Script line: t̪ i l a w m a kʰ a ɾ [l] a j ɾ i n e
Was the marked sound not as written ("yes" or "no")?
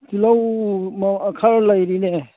no